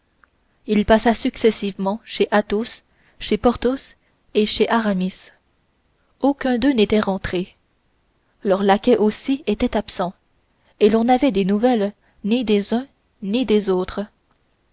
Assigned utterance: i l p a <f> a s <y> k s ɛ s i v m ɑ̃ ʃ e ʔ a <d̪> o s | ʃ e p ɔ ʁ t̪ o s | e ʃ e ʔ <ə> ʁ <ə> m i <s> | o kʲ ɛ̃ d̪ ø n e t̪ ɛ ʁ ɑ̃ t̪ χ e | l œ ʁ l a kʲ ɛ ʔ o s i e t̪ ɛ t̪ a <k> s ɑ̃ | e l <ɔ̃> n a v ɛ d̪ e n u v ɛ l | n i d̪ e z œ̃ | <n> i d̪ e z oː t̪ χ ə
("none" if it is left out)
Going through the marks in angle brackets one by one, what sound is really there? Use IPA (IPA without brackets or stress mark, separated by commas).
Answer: s, y, t̪, a, a, s, p, ɔ̃, n